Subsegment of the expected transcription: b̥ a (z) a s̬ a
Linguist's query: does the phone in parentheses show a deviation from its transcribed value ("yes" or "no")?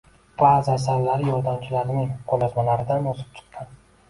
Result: no